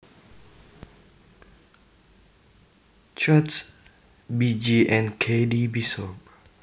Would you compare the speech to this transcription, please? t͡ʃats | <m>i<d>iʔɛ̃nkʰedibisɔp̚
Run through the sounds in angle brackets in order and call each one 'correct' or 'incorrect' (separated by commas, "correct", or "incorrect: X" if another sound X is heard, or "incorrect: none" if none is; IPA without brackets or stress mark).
incorrect: b, incorrect: d͡ʒ